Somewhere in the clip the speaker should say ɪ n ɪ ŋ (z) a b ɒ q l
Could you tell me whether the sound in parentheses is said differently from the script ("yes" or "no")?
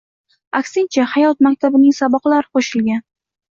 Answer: yes